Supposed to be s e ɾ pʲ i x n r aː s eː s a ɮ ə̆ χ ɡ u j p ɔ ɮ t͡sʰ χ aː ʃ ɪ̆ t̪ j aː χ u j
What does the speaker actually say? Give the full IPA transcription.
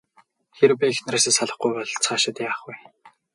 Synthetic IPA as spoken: x e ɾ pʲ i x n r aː s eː s a ɮ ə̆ χ ɡ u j p ɔ ɮ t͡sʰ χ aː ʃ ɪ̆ t̪ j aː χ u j